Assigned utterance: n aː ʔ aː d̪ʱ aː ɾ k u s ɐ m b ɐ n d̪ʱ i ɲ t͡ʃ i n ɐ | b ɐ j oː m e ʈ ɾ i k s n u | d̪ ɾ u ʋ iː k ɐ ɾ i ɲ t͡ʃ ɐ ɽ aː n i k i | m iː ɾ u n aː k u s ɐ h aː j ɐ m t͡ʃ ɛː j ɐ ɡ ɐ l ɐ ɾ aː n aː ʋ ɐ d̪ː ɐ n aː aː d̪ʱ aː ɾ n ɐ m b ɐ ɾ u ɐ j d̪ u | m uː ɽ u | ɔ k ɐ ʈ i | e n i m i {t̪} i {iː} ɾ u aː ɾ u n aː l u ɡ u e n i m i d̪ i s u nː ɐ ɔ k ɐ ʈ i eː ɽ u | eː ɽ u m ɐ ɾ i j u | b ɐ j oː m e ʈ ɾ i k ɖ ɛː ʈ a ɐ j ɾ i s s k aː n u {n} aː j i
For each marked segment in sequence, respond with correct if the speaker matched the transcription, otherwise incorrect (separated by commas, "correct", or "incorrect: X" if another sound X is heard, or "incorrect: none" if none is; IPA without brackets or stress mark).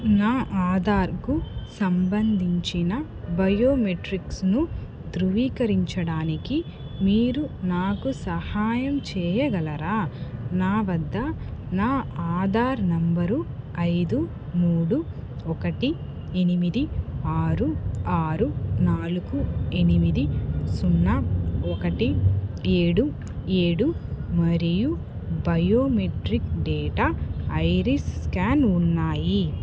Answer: incorrect: d̪, incorrect: aː, incorrect: nː